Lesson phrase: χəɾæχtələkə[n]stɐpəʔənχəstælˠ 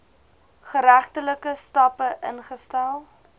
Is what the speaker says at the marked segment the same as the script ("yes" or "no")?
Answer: no